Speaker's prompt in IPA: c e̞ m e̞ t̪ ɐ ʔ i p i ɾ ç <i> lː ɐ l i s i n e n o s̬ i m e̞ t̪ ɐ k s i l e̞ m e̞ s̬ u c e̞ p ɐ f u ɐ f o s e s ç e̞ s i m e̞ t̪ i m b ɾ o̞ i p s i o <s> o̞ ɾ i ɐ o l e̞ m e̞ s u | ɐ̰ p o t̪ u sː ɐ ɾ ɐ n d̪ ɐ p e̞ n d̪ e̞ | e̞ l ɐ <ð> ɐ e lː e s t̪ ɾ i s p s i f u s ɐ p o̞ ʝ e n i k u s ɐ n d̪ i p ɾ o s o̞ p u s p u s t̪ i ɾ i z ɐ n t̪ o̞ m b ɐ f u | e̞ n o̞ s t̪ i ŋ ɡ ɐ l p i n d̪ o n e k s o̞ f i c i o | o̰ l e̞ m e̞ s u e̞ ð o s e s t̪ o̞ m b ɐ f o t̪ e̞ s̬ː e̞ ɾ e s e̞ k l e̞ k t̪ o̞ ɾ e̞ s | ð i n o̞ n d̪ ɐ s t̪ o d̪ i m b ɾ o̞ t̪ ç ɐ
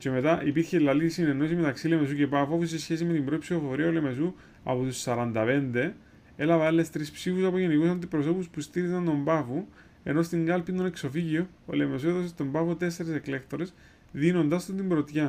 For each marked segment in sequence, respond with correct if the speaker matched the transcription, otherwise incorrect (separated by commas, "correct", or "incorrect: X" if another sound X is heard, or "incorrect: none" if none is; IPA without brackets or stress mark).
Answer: incorrect: e, incorrect: f, incorrect: v